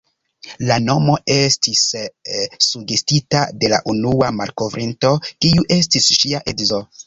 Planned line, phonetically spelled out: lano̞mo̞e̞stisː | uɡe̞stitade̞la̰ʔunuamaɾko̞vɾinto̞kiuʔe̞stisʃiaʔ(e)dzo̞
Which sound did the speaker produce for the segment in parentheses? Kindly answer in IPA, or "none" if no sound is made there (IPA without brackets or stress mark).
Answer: e